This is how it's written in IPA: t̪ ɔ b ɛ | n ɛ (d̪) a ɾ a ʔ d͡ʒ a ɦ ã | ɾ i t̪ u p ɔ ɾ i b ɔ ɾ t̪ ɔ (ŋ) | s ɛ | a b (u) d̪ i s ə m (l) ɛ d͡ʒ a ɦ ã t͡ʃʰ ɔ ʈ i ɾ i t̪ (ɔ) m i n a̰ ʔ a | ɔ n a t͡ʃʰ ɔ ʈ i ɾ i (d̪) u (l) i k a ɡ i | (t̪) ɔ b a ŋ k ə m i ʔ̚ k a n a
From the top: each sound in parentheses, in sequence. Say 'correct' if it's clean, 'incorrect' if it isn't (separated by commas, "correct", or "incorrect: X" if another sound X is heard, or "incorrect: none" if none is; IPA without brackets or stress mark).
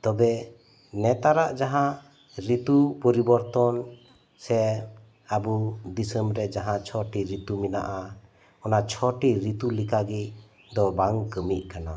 incorrect: t̪, incorrect: n, correct, incorrect: ɾ, incorrect: u, incorrect: t̪, correct, incorrect: d̪